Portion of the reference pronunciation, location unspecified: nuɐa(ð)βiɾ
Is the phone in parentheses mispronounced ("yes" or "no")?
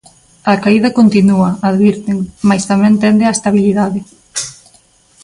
no